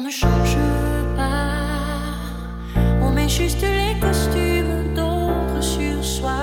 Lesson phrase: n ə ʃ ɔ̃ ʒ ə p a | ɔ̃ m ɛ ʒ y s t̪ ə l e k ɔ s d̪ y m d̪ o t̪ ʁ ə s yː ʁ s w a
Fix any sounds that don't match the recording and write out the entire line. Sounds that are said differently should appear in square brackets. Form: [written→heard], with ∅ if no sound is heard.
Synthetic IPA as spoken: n ə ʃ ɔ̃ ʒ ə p a | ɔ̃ m ɛ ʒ y s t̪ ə l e k ɔ s [d̪→t̪] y m d̪ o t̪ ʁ ə s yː ʁ s w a